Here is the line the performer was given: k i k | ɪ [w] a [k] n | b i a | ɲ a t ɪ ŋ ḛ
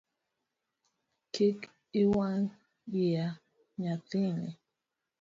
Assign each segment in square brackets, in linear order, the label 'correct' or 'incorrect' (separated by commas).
correct, incorrect